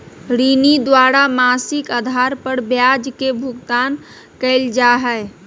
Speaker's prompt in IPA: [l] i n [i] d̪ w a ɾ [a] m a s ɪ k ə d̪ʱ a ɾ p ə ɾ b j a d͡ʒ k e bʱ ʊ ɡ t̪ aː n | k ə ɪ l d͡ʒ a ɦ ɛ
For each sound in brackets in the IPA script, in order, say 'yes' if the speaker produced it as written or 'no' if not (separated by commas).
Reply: no, yes, yes